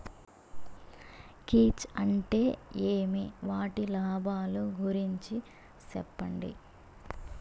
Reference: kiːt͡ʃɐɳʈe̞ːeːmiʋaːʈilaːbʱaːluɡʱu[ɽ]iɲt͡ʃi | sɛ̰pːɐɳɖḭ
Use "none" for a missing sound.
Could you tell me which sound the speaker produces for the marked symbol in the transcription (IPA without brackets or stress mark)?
ɾ